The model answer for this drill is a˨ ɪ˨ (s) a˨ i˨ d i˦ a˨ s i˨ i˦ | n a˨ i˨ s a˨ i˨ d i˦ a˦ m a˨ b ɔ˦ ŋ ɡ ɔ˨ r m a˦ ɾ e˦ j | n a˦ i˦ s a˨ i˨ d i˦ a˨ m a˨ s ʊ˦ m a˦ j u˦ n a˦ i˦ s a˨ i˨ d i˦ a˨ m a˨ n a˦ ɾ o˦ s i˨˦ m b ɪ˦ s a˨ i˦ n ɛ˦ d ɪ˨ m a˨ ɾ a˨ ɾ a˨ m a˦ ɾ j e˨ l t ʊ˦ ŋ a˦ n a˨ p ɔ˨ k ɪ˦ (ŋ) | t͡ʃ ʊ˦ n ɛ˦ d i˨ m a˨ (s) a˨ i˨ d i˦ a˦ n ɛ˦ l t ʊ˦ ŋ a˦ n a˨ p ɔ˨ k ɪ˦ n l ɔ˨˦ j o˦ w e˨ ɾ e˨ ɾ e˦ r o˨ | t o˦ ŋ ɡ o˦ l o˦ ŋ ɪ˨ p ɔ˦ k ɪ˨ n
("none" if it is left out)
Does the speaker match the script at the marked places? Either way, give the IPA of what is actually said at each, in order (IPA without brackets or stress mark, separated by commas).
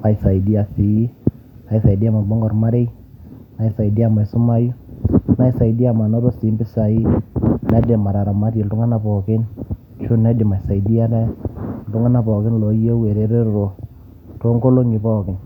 s, n, s